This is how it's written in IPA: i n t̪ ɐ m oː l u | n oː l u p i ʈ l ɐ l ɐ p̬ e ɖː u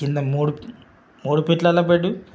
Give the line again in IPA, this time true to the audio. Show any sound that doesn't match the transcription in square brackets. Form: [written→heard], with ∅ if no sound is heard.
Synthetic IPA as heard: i n [t̪→d̪] ɐ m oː [l→ɽ] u | [n→m] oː [l→ɽ] u p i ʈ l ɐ l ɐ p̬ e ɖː u